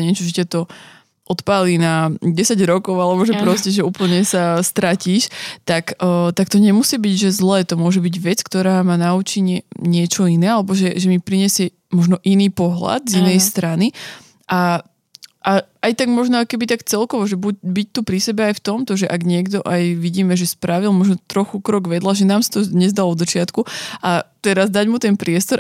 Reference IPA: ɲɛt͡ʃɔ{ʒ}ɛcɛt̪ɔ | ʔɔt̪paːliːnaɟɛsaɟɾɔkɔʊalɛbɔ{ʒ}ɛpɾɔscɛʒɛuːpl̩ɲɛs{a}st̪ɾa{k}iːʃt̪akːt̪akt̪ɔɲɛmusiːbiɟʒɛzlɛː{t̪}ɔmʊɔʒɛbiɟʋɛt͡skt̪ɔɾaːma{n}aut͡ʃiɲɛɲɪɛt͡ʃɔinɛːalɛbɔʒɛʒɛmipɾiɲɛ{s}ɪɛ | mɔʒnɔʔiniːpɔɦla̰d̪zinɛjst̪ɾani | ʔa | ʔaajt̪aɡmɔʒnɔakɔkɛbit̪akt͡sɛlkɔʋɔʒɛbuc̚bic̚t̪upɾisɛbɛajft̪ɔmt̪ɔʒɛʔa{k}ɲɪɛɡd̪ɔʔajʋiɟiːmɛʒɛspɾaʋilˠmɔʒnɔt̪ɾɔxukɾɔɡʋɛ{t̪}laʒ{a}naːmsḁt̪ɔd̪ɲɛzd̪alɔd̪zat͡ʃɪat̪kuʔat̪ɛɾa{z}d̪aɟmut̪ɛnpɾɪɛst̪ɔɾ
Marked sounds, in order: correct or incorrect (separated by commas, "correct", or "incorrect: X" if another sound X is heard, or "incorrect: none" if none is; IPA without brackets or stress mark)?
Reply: correct, correct, correct, incorrect: c, correct, correct, correct, incorrect: ɡ, incorrect: d̪, incorrect: ɛ, correct